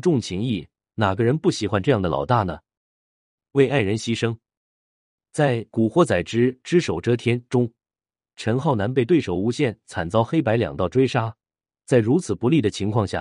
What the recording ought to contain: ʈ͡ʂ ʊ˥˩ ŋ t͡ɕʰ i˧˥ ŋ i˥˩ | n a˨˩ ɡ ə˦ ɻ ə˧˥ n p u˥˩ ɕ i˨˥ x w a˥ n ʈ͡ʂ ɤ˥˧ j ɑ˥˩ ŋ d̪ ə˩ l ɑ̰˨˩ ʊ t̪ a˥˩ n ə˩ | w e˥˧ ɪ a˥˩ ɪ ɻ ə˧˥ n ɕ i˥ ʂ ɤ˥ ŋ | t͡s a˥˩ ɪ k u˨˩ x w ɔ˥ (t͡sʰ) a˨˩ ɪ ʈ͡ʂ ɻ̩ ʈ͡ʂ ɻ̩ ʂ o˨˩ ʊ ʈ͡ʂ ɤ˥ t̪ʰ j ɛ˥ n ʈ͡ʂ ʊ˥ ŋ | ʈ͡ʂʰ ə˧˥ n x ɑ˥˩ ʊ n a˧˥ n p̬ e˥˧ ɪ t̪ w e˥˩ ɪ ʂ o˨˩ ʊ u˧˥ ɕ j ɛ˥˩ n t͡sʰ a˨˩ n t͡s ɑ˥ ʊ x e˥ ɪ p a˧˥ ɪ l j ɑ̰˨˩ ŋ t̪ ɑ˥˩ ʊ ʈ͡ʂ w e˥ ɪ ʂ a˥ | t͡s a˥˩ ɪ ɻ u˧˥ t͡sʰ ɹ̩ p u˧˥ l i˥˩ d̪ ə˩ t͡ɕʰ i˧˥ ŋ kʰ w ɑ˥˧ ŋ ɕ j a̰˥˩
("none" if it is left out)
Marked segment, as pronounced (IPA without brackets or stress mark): t͡s